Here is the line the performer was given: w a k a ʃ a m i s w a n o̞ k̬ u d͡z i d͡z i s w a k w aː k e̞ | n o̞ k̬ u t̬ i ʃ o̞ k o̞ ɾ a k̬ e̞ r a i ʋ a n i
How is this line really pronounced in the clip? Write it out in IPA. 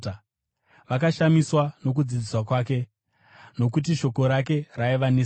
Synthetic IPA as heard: ʋ a k a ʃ a m i s w a n o̞ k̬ u d͡z i d͡z i s w a k w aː k e̞ | n o̞ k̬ u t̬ i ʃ o̞ k o̞ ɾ a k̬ e̞ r a i ʋ a n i